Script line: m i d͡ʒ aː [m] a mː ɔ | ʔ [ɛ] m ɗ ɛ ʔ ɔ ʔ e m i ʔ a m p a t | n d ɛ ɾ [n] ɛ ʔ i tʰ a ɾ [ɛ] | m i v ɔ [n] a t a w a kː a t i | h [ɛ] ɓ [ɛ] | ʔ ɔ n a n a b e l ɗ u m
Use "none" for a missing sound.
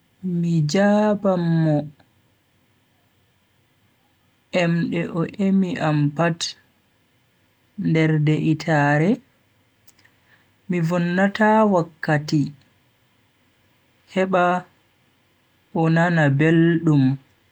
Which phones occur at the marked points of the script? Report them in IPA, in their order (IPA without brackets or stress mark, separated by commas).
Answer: b, ɛ, d, ɛ, nː, ɛ, a